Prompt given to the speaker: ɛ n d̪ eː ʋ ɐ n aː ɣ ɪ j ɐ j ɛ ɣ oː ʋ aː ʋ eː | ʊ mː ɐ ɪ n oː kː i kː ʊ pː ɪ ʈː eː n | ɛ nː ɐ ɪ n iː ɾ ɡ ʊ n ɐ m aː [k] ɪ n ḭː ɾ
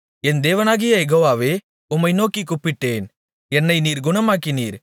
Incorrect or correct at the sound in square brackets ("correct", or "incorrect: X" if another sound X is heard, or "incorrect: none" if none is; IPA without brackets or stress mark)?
correct